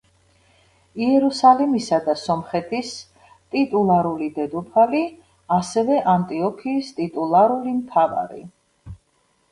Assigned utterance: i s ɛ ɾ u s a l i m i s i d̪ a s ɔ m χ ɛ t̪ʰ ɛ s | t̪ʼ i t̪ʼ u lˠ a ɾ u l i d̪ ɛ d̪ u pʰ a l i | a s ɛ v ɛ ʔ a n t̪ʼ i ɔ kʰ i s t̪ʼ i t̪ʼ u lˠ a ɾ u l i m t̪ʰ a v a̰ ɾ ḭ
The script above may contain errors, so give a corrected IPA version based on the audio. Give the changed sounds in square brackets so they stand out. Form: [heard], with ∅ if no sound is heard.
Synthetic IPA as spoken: i [∅] ɛ ɾ u s a l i m i s [a] d̪ a s ɔ m χ ɛ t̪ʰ [i] s | t̪ʼ i t̪ʼ u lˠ a ɾ u l i d̪ ɛ d̪ u pʰ a l i | a s ɛ v ɛ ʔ a n t̪ʼ i ɔ kʰ [iː] s t̪ʼ i t̪ʼ u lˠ a ɾ u l i m t̪ʰ a v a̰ ɾ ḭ